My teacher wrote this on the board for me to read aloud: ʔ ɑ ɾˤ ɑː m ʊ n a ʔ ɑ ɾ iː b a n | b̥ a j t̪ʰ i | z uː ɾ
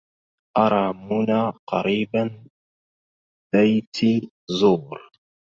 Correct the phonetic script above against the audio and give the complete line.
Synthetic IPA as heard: ʔ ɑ ɾˤ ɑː m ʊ n a q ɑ ɾ iː b a n | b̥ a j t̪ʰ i | z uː ɾ